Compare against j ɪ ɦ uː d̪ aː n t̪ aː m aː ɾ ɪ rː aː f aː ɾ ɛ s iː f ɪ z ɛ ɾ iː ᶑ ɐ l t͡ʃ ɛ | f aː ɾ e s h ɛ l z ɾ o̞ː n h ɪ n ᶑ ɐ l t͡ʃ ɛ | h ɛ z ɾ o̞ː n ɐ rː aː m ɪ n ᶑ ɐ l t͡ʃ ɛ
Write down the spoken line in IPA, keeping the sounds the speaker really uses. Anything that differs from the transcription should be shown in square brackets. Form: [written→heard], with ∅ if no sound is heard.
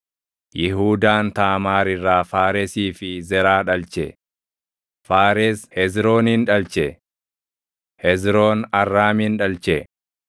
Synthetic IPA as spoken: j ɪ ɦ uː d̪ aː n t̪ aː m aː ɾ ɪ rː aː f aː ɾ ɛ s iː f ɪ z ɛ ɾ [iː→aː] ᶑ ɐ l t͡ʃ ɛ | f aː ɾ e s h ɛ [l→∅] z ɾ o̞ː n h ɪ n ᶑ ɐ l t͡ʃ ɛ | h ɛ z ɾ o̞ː n ɐ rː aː m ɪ n ᶑ ɐ l t͡ʃ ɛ